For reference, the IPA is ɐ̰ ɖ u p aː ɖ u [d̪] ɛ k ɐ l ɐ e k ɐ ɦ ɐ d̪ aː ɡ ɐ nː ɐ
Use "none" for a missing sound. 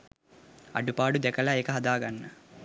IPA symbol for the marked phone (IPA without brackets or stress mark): d̪